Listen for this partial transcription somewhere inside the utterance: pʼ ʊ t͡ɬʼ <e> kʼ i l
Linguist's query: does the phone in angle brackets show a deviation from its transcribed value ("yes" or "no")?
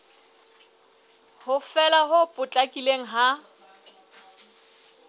yes